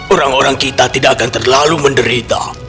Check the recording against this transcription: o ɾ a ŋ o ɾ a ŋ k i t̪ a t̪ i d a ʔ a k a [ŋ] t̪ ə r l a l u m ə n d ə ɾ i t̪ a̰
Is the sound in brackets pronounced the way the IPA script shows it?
no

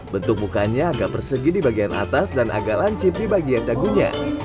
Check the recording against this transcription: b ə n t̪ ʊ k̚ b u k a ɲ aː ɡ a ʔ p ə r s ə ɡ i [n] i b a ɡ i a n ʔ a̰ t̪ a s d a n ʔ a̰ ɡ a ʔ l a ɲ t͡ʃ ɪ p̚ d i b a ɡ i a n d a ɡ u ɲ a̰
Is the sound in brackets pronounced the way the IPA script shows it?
no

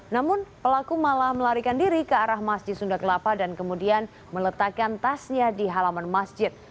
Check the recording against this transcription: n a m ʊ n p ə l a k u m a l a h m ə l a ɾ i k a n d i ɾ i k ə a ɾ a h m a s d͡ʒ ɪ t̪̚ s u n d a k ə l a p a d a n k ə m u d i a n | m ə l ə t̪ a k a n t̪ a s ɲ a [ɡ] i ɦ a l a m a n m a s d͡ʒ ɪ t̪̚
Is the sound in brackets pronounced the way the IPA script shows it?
no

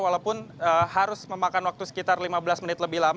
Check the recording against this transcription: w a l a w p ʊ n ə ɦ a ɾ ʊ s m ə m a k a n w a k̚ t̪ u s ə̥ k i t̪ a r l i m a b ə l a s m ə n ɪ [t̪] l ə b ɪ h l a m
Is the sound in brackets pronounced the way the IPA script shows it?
yes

